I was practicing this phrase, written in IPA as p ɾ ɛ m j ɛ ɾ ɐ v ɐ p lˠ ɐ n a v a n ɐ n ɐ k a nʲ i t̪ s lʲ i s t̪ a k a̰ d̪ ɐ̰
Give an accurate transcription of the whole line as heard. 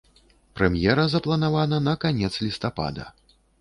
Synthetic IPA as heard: p ɾ ɛ m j ɛ ɾ ɐ z ɐ p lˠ ɐ n a v a n ɐ n ɐ k a nʲ ɛ t̪ s lʲ i s t̪ a p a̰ d̪ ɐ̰